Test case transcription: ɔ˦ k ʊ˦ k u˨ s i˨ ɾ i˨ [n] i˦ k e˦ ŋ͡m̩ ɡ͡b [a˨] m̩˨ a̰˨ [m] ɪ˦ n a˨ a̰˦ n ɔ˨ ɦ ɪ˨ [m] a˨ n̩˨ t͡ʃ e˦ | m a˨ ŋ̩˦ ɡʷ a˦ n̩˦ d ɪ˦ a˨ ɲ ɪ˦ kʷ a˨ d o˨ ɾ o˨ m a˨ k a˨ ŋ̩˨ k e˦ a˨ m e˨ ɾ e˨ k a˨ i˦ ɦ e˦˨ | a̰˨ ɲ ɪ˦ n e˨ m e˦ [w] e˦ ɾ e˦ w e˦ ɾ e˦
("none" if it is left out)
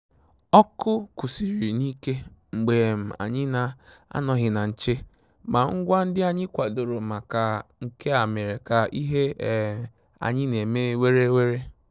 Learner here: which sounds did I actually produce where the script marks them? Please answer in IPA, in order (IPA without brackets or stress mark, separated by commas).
n, e˨, ɲ, n, w